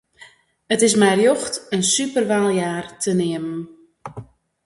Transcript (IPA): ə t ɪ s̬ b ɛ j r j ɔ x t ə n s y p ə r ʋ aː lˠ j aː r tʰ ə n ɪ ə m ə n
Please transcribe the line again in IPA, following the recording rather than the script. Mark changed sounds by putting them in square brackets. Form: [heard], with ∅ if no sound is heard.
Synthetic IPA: ə t ɪ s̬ [m] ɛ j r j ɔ x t ə n s y p ə r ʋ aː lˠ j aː r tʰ ə n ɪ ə m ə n